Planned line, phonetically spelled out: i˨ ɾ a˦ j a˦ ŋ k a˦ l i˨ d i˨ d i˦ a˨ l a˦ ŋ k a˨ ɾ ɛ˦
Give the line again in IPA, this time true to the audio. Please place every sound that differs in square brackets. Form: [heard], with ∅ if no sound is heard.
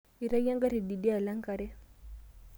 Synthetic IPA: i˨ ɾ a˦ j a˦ ŋ [ɡ] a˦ [ɾ] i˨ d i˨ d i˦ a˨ l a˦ ŋ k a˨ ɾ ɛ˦